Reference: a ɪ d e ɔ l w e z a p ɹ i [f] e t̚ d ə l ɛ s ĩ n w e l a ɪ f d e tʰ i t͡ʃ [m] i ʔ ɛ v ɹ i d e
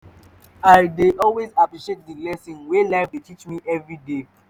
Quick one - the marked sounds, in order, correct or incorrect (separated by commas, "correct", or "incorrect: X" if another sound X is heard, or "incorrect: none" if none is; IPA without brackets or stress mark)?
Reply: incorrect: ʃ, correct